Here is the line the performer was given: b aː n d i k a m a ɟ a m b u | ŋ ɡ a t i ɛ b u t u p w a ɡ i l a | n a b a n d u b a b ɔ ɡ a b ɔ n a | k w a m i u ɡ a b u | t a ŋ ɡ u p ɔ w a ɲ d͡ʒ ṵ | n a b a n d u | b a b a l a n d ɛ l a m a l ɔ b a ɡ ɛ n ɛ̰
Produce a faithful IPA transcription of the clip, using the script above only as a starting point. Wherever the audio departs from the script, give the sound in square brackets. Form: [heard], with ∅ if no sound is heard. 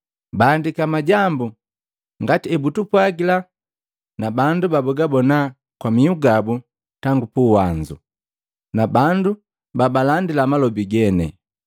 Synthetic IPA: b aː n d i k a m a ɟ a m b u | ŋ ɡ a t i ɛ b u t u p w a ɡ i l a | n a b a n d u b a b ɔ ɡ a b ɔ n a | k w a m i u ɡ a b u | t a ŋ ɡ u p [u] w a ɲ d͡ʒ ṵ | n a b a n d u | b a b a l a n d [i] l a m a l ɔ b [i] ɡ ɛ n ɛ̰

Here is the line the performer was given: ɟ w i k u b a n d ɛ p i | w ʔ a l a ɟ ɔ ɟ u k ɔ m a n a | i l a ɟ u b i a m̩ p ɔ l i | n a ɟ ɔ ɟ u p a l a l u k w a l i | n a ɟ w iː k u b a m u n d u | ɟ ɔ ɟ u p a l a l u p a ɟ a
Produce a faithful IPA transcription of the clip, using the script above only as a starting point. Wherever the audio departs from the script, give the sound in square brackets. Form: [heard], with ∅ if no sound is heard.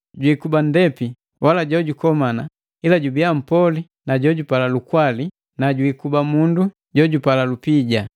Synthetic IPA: ɟ w i k u b a n d ɛ p i | w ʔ a l a ɟ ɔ ɟ u k ɔ m a n a | i l a ɟ u b i a m̩ p ɔ l i | n a ɟ ɔ ɟ u p a l a l u k w a l i | n a ɟ w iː k u b a m u n d u | ɟ ɔ ɟ u p a l a l u p [i] ɟ a

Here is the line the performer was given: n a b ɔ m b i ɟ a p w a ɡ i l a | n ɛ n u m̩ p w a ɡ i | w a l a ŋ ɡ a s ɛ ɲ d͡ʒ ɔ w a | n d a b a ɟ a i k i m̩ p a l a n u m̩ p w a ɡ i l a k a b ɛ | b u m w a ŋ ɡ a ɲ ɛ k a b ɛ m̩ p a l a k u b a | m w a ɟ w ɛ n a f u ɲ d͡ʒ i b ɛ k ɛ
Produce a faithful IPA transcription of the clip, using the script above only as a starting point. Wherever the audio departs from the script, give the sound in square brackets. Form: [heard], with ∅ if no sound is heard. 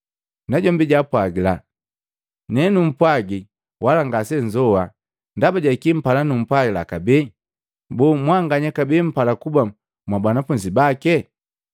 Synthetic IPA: n a [ɟ] ɔ m b i ɟ a p w a ɡ i l a | n ɛ n u m̩ p w a ɡ i | w a l a ŋ ɡ a s ɛ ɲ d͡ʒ ɔ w a | n d a b a ɟ a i k i m̩ p a l a n u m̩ p w a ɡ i l a k a b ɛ | b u m w a ŋ ɡ a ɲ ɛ k a b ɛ m̩ p a l a k u b a | m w a [b] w [a] n a f u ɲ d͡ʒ i b [a] k ɛ

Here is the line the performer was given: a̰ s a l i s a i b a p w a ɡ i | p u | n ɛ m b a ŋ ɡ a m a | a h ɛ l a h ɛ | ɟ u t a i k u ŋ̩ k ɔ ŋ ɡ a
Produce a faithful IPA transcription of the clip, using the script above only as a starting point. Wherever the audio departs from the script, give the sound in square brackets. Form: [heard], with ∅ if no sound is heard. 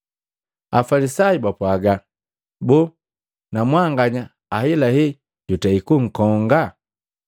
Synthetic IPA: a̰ [f] a l i s a i b a p w a ɡ [a] | [b] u | n [a] m [w] a ŋ ɡ a [ɲ] a | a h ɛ l a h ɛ | ɟ u t a i k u ŋ̩ k ɔ ŋ ɡ a

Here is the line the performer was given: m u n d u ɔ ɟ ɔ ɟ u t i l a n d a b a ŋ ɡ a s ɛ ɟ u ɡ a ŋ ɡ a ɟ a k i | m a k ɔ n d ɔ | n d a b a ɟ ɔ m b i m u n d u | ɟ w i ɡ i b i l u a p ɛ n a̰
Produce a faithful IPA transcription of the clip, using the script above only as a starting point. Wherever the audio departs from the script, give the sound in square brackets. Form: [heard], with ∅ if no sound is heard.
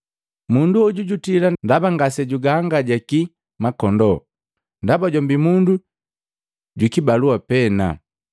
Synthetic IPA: m u n d u ɔ ɟ [u] ɟ u t i l a n d a b a ŋ ɡ a s ɛ ɟ u ɡ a ŋ ɡ a ɟ a k i | m a k ɔ n d ɔ | n d a b a ɟ ɔ m b i m u n d u | ɟ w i [k] i b [a] l u a p ɛ n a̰

